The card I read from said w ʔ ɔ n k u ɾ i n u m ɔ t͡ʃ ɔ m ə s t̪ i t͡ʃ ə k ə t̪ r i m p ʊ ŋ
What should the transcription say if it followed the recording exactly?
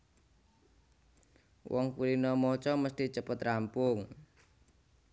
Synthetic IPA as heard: w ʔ ɔ ŋ k u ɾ i n ɔ m ɔ t͡ʃ ɔ m ə s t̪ i t͡ʃ ə p ə t̪ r a m p ʊ ŋ